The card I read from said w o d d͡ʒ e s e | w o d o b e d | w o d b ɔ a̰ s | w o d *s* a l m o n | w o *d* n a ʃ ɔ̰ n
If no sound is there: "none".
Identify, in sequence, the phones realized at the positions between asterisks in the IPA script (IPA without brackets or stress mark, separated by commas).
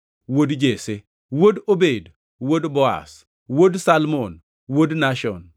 s, d